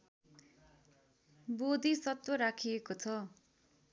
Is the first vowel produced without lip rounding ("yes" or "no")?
no